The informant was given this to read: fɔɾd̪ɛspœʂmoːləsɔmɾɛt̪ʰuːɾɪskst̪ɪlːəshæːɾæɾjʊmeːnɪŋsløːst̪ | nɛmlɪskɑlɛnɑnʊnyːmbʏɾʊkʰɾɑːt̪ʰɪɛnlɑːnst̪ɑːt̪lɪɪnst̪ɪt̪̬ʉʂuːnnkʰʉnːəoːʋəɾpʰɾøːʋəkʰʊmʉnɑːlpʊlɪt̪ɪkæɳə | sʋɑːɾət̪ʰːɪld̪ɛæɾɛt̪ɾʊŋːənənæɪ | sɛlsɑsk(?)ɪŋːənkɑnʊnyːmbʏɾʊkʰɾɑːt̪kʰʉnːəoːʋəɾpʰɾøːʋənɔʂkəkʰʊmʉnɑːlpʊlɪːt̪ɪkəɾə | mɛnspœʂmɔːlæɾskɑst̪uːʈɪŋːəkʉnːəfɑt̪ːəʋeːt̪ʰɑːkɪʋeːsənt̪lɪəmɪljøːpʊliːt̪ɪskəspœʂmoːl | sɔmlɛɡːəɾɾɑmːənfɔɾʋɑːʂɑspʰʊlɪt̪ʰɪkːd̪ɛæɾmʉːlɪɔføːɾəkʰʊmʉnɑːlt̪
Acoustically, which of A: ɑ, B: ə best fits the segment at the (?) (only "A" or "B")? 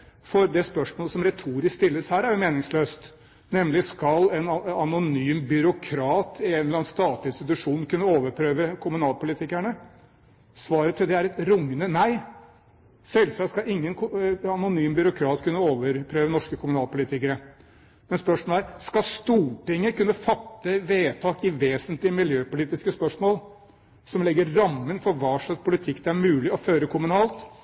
A